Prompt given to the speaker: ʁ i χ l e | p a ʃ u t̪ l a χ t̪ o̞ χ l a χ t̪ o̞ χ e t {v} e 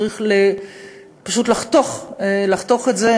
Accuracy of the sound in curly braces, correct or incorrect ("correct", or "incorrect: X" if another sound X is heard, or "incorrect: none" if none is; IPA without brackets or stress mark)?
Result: incorrect: z